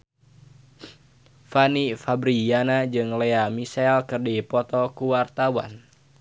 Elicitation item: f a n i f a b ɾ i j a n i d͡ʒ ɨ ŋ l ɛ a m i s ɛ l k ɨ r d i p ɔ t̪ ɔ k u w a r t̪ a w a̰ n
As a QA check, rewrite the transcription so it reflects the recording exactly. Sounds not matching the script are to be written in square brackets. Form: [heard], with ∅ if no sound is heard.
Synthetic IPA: f a n i f a b ɾ i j a n [a] d͡ʒ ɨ ŋ l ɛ a m i s ɛ l k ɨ r d i p ɔ t̪ ɔ k u w a r t̪ a w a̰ n